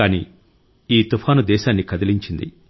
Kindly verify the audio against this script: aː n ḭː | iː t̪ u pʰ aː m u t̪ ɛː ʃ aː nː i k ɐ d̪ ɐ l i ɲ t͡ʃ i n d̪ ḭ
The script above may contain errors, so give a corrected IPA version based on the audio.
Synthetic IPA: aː n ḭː | iː t̪ u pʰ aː n u d̪ ɛː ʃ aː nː i k ɐ d̪ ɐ l i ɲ t͡ʃ i n d̪ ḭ